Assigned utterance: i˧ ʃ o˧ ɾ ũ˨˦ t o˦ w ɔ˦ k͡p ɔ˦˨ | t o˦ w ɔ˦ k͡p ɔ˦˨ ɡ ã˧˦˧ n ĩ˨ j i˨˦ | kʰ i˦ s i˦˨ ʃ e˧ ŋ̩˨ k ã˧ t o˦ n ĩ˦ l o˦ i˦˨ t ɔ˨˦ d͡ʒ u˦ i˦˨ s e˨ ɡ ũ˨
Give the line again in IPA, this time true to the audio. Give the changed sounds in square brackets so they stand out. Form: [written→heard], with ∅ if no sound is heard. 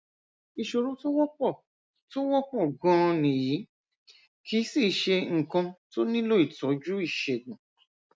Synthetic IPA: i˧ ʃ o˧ ɾ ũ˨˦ t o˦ w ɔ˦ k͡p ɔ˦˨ | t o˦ w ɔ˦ k͡p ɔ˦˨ ɡ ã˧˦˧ n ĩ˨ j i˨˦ | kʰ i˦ s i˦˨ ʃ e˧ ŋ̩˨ k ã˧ t o˦ n ĩ˦ l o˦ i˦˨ t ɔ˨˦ d͡ʒ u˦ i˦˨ [s→ʃ] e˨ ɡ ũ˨

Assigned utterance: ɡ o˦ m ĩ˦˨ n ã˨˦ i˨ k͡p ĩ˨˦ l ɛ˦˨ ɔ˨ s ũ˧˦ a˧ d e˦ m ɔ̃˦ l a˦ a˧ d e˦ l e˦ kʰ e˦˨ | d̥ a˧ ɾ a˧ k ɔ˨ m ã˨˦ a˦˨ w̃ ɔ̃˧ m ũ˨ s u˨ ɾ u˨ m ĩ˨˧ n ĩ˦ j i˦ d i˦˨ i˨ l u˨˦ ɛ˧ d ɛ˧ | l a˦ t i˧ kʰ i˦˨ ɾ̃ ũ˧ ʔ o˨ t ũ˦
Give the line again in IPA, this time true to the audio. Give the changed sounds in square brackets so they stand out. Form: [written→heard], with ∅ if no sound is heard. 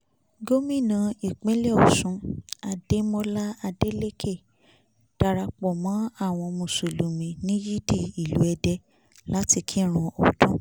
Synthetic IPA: ɡ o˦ m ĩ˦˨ n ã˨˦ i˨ k͡p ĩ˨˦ l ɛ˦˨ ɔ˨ s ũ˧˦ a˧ d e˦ m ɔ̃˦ l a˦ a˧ d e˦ l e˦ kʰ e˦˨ | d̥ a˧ ɾ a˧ [k→k͡p] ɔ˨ m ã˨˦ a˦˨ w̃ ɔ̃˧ m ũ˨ s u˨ [ɾ→l] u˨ m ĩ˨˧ n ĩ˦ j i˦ d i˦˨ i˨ l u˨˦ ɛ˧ d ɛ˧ | l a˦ t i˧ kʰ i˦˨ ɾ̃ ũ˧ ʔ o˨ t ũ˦

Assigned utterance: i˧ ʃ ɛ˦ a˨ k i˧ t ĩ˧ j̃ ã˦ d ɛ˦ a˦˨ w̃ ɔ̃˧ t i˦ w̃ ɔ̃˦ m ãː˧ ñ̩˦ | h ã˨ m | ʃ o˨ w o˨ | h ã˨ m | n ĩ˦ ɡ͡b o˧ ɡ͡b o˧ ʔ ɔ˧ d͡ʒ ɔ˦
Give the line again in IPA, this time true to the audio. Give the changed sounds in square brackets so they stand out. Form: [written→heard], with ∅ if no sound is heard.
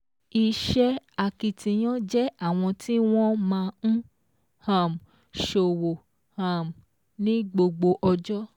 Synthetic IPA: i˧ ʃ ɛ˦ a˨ k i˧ t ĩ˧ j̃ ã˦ [d→d͡ʒ] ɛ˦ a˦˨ w̃ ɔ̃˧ t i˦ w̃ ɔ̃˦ m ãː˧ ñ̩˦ | h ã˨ m | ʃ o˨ w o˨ | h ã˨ m | n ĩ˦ ɡ͡b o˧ ɡ͡b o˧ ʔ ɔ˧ d͡ʒ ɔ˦

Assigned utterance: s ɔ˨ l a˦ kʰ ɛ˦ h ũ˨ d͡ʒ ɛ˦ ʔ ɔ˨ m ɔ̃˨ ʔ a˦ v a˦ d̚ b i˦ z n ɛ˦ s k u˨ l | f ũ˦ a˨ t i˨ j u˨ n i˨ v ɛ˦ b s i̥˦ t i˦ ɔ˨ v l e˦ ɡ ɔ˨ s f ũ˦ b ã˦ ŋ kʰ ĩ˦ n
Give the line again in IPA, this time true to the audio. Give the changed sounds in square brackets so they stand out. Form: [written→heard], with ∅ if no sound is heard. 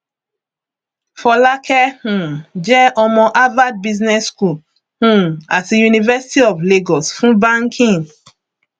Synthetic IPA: [s→f] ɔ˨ l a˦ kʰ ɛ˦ h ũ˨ d͡ʒ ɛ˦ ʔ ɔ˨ m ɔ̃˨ ʔ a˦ v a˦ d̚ b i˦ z n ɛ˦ s k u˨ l | [f→h] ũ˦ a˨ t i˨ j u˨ n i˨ v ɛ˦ [b→∅] s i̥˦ t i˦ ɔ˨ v l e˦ ɡ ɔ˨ s f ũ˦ b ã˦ ŋ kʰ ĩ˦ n

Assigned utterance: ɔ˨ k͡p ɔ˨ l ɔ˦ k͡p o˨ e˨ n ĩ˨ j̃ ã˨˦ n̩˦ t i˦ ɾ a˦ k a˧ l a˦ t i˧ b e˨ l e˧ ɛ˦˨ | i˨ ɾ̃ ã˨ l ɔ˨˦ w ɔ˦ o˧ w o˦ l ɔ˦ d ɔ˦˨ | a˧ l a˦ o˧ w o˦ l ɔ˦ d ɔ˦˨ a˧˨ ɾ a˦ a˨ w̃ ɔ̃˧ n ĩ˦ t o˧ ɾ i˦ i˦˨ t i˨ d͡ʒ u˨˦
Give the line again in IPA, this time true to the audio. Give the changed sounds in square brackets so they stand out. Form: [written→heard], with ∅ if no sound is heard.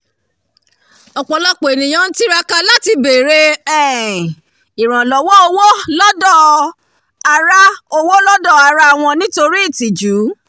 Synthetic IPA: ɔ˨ k͡p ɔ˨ l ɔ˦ k͡p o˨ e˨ n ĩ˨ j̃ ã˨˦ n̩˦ t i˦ ɾ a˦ k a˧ l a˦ t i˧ b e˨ [l→ɾ] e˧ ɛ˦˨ | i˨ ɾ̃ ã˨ l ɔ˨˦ w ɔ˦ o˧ w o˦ l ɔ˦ d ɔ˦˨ | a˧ [l→ɾ] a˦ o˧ w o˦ l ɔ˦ d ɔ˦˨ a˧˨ ɾ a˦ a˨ w̃ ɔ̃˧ n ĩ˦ t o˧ ɾ i˦ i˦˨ t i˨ d͡ʒ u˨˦

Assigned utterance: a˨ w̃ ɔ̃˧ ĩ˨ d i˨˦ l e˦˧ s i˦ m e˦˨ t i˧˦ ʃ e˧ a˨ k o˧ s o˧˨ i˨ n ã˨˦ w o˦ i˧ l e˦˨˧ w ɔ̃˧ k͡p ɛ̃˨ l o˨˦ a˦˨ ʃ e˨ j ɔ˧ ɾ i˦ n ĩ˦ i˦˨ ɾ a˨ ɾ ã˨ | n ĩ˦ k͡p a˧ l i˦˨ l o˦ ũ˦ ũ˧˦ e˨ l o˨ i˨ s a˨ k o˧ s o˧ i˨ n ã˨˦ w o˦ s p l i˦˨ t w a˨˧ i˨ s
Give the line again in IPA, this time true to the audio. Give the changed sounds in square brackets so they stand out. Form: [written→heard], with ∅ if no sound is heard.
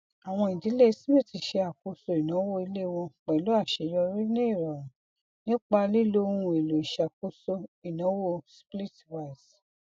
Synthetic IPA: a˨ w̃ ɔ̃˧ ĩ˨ d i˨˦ l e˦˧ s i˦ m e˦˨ t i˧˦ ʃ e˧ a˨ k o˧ s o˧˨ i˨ n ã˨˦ w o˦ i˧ l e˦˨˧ w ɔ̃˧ k͡p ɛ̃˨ l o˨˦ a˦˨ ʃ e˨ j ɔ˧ ɾ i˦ n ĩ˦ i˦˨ ɾ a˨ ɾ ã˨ | n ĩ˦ k͡p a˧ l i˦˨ l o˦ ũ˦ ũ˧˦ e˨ l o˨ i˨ [s→ʃ] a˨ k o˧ s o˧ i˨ n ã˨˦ w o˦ s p l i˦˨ t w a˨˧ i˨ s

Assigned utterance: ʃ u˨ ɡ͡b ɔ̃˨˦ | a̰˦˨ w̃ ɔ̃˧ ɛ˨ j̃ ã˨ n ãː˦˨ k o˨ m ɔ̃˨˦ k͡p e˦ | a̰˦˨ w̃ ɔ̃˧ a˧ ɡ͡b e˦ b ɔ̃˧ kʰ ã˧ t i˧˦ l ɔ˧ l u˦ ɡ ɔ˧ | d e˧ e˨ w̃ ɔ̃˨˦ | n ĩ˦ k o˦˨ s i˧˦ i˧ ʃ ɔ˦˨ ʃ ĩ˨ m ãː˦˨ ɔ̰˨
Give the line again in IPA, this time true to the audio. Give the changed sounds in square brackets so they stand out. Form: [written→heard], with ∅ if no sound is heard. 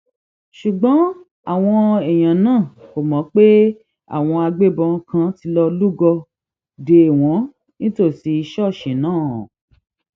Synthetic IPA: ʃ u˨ ɡ͡b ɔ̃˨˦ | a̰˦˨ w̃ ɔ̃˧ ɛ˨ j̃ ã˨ n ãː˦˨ k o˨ m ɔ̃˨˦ k͡p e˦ | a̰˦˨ w̃ ɔ̃˧ a˧ ɡ͡b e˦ b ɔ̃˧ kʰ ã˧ t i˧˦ l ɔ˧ l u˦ ɡ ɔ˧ | d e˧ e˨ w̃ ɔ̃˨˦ | n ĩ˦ [k→t] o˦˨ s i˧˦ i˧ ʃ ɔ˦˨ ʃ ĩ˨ [m→n] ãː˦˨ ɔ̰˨

